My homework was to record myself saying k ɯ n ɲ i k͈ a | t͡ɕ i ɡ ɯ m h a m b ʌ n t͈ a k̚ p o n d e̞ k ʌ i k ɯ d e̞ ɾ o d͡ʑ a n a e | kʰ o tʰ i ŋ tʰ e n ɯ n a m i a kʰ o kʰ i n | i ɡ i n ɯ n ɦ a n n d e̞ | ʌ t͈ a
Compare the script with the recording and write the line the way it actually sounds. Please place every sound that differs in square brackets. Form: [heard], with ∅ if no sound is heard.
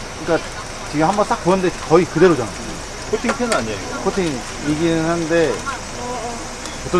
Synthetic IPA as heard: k ɯ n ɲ i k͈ a | t͡ɕ i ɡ ɯ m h a m b ʌ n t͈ a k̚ p o n d e̞ k ʌ i k ɯ d e̞ ɾ o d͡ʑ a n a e | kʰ o tʰ i ŋ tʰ e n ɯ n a [ɲ] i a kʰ o [tʰ] i [ŋ] | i ɡ i n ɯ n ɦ a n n d e̞ | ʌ t͈ [ʌ]